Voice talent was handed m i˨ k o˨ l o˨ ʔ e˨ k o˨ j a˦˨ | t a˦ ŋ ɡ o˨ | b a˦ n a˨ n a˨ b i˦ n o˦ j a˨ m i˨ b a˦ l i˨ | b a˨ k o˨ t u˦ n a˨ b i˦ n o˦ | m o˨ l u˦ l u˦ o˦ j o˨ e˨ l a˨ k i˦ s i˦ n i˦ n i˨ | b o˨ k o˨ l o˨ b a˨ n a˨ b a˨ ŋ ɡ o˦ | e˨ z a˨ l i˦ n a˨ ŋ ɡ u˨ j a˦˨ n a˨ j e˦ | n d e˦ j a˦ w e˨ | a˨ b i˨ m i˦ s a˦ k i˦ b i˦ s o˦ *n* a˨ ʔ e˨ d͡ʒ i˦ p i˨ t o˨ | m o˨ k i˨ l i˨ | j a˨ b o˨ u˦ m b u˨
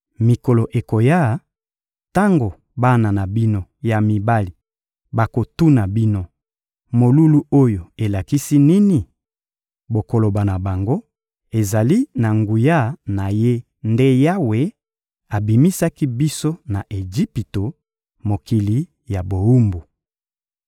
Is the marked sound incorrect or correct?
correct